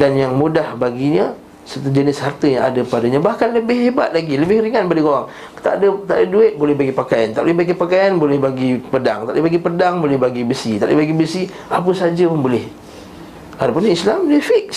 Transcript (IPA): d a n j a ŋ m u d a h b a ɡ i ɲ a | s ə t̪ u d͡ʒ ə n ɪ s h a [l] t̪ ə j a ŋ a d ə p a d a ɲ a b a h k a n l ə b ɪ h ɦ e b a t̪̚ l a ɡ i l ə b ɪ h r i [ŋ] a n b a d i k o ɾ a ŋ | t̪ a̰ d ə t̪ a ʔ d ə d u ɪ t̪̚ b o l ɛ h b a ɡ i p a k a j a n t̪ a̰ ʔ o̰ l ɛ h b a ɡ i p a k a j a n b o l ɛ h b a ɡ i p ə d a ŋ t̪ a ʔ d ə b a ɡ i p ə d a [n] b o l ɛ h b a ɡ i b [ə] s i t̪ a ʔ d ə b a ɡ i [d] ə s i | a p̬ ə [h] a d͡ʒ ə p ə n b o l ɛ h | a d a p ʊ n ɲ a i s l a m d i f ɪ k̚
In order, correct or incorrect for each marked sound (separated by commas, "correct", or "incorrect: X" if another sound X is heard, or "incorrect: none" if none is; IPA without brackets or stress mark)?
incorrect: r, correct, incorrect: ŋ, correct, incorrect: b, incorrect: s